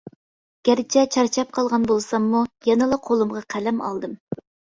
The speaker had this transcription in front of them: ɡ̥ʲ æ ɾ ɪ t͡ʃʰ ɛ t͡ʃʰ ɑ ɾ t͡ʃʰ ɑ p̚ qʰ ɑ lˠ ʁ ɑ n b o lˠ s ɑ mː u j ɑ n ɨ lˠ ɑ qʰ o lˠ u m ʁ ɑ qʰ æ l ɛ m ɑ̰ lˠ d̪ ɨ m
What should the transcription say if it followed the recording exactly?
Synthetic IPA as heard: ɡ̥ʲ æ ɾ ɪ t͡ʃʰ ɛ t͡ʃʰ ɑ ɾ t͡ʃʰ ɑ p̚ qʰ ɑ lˠ ʁ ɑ n b o lˠ s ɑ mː u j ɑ n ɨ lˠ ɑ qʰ o lˠ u m ʁ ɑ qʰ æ l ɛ m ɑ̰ lˠ d̪ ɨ m